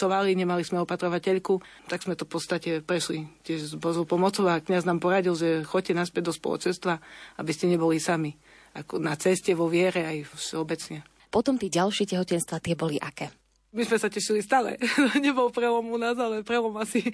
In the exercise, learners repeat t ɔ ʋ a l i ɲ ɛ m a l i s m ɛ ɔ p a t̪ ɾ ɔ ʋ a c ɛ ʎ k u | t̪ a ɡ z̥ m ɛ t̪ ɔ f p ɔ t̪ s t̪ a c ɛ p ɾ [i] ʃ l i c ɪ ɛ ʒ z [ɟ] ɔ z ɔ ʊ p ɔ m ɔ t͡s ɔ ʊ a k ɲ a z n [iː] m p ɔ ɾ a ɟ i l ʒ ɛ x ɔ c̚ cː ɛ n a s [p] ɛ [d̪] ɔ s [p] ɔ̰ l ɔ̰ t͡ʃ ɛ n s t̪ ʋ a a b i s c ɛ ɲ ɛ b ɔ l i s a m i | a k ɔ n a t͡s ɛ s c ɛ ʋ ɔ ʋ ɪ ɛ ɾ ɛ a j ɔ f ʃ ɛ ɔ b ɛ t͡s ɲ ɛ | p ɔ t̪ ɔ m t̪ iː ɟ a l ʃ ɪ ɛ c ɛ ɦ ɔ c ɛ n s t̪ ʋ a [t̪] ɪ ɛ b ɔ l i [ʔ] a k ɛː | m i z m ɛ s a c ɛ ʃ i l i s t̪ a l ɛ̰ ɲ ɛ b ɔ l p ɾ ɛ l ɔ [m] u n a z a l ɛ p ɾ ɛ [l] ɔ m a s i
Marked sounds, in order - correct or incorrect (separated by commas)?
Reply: incorrect, incorrect, incorrect, correct, correct, correct, correct, correct, correct, correct